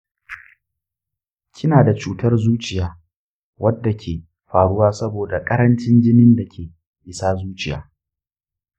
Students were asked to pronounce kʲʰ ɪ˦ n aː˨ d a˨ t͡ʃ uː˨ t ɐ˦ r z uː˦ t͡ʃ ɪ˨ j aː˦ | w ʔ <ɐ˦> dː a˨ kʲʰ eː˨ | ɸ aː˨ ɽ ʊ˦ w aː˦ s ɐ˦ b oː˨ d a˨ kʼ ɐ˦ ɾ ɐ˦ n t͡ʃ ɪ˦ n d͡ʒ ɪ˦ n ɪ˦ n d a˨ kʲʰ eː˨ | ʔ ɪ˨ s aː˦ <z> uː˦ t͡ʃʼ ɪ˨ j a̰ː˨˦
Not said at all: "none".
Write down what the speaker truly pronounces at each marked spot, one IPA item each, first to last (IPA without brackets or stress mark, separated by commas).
ɐ˦, z